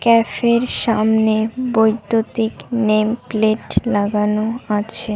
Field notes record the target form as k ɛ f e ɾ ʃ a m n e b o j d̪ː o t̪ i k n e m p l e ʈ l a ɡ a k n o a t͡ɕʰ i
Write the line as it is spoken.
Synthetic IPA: k ɛ f e ɾ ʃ a m n e b o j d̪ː o t̪ i k n e m p l e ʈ l a ɡ a n o a t͡ɕʰ e